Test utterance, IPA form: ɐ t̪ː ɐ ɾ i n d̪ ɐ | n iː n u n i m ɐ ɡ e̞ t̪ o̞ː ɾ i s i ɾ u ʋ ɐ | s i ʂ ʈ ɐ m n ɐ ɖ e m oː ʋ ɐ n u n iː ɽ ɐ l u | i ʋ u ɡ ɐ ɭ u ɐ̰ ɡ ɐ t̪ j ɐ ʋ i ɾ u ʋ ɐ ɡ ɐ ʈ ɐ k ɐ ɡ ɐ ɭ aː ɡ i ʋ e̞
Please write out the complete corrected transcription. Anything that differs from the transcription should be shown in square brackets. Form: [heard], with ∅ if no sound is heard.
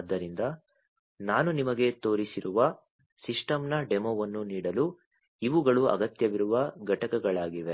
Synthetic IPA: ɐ [d̪ː] ɐ ɾ i n d̪ ɐ | n [aː] n u n i m ɐ ɡ e̞ t̪ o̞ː ɾ i s i ɾ u ʋ ɐ | s i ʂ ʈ ɐ m n ɐ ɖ e m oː ʋ ɐ [nː] u n iː ɽ ɐ l u | i ʋ u ɡ ɐ ɭ u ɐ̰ ɡ ɐ t̪ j ɐ ʋ i ɾ u ʋ ɐ ɡ ɐ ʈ ɐ k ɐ ɡ ɐ ɭ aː ɡ i ʋ e̞